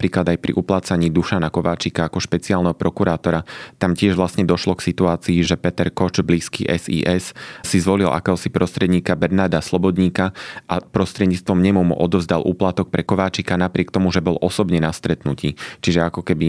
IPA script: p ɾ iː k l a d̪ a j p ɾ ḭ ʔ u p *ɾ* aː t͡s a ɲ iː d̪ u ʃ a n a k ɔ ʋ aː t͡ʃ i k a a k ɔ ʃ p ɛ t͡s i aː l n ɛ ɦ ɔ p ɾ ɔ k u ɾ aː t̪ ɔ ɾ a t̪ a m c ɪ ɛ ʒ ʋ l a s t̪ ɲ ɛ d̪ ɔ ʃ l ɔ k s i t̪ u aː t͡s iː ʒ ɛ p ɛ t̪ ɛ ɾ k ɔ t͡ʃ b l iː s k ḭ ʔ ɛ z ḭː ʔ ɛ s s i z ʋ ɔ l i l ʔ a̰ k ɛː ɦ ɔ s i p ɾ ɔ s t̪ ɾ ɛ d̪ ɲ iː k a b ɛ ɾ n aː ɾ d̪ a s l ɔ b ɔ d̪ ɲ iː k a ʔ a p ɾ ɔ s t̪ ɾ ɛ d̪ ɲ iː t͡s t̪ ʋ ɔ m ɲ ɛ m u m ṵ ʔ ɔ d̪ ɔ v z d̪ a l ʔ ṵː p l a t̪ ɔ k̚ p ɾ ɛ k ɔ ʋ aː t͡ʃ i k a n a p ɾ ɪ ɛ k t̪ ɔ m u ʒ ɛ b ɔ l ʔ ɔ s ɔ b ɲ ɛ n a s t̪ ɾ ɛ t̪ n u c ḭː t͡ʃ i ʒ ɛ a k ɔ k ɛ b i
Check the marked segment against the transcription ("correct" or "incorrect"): incorrect